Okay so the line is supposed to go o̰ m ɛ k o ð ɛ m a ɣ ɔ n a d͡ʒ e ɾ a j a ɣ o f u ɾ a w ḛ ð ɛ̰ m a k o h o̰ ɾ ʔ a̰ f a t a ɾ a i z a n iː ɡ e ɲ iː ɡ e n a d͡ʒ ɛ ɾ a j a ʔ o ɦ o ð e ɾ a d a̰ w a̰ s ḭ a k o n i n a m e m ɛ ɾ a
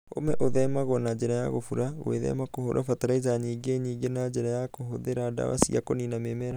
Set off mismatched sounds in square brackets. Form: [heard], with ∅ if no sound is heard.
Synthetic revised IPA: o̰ m ɛ [ʔ] o ð ɛ m a ɣ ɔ n a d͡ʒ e ɾ a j a ɣ o f u ɾ a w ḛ ð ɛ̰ m a k o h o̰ ɾ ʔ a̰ f a t a ɾ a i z a [ɲ] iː ɡ e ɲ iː ɡ e n a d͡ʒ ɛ ɾ a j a [k] o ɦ o ð e ɾ a d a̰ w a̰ s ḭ a k o n i n a m e m ɛ ɾ a